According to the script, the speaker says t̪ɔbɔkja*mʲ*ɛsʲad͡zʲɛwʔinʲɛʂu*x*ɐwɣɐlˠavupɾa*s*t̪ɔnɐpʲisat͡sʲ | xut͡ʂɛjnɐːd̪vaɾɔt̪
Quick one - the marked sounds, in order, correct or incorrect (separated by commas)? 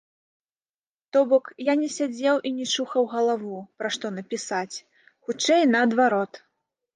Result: incorrect, correct, incorrect